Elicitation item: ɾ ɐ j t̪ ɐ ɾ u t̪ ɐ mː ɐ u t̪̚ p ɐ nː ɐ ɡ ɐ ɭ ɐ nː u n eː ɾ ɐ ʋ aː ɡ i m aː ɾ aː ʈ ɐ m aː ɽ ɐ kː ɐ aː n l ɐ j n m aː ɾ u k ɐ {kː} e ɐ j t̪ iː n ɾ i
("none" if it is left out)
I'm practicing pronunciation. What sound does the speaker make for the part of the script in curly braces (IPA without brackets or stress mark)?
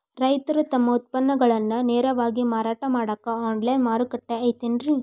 ʈː